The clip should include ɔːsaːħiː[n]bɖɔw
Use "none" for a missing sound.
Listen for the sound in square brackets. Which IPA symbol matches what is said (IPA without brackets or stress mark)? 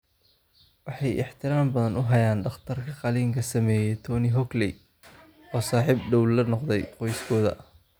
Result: none